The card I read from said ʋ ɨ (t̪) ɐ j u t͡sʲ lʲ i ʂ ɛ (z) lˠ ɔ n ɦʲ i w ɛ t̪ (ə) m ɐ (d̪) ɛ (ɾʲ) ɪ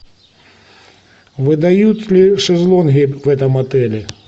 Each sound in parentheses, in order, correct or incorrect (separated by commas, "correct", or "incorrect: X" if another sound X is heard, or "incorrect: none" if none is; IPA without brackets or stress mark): incorrect: d̪, correct, incorrect: ɐ, incorrect: t̪, incorrect: lʲ